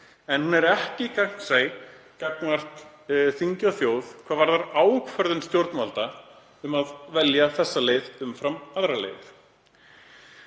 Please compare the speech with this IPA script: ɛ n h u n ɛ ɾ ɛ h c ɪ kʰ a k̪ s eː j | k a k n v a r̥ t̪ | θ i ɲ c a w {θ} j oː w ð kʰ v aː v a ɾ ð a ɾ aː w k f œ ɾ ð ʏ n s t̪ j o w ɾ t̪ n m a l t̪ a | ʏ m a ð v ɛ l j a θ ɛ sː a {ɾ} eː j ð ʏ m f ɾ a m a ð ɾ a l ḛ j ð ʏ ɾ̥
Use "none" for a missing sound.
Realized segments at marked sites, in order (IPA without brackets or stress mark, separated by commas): θ, l